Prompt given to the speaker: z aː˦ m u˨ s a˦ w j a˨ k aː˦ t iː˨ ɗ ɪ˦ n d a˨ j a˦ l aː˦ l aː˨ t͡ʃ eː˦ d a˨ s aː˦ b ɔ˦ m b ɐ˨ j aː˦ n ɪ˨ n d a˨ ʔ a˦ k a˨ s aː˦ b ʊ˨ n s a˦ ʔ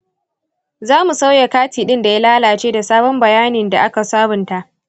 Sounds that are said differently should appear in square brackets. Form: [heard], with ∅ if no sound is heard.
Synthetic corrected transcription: z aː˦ m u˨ s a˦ w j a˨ k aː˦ t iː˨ ɗ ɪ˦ n d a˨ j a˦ l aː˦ l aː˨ t͡ʃ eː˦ d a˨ s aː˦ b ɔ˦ m b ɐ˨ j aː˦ n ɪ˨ n d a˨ ʔ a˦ k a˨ s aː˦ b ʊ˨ n [t] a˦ ʔ